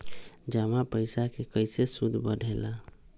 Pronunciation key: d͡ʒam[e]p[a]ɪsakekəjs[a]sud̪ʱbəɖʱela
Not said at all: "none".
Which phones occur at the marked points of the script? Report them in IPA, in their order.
a, ə, e

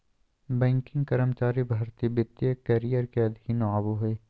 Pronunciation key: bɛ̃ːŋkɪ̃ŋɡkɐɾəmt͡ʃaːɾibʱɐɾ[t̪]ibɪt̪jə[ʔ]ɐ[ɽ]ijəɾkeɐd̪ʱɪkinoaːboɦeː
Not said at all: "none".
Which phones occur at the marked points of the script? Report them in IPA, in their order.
t̪, k, ɾ

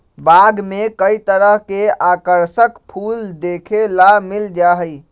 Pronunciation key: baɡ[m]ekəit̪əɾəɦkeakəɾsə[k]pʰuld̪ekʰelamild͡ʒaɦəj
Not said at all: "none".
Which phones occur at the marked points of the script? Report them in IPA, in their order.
m, k

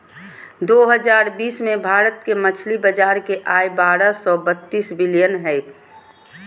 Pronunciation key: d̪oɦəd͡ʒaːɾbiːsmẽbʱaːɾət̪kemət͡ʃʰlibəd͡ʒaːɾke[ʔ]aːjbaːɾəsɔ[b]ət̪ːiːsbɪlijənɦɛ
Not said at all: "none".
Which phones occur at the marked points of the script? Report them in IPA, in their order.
ʔ, b

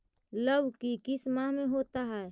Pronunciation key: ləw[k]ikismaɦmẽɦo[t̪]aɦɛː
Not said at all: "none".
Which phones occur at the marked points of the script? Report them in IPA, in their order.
k, t̪

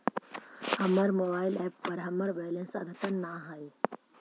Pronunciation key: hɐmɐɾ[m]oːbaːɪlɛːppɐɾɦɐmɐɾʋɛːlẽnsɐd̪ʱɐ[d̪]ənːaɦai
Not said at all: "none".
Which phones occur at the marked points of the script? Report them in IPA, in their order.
m, t̪

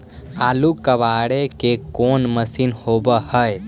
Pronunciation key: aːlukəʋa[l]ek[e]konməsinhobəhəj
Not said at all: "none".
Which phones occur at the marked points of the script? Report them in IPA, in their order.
ɽ, e

